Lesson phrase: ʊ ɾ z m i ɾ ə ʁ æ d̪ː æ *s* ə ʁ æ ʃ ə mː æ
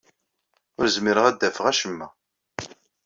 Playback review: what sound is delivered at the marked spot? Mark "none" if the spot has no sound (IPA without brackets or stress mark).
f